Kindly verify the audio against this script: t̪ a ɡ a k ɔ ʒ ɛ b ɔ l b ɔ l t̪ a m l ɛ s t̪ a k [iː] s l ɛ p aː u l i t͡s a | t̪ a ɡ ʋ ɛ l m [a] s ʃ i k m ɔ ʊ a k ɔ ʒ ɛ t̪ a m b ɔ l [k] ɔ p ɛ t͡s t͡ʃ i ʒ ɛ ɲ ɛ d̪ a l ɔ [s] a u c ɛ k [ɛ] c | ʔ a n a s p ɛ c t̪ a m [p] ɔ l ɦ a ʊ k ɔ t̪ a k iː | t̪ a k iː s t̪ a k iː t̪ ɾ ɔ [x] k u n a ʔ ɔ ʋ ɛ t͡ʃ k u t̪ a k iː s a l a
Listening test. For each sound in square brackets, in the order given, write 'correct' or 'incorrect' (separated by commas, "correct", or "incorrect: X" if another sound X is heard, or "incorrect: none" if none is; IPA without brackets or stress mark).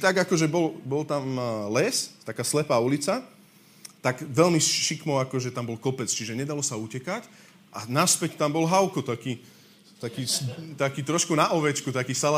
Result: incorrect: aː, incorrect: i, correct, correct, incorrect: a, incorrect: b, incorrect: ʃ